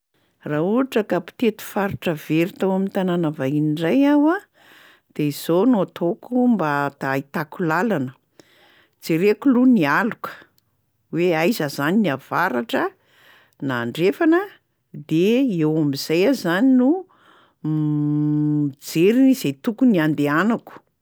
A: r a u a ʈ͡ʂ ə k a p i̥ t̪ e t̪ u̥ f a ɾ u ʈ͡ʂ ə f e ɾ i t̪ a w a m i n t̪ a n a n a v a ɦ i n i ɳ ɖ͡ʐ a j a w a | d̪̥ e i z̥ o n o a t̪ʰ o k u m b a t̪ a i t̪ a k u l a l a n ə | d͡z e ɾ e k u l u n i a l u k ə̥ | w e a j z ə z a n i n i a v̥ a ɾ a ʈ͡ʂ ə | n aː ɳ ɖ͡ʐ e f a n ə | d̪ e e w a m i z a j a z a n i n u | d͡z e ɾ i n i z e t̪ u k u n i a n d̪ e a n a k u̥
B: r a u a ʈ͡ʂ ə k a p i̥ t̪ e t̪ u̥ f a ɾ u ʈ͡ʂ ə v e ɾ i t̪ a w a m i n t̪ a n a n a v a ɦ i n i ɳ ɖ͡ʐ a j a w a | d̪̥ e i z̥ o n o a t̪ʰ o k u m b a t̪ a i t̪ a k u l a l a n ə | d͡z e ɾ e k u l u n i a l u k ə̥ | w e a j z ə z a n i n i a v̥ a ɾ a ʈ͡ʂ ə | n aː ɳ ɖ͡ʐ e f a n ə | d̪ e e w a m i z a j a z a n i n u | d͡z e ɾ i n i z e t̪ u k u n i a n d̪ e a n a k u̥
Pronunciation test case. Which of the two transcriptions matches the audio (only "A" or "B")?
B